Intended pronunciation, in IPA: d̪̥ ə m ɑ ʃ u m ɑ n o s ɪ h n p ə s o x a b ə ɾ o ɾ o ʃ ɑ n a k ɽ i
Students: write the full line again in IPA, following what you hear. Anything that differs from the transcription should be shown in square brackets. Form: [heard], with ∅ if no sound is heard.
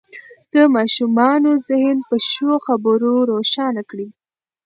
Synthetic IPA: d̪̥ ə m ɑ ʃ u m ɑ n o [z] ɪ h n p ə [ʃ] o x a b ə ɾ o ɾ o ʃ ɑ n a k ɽ i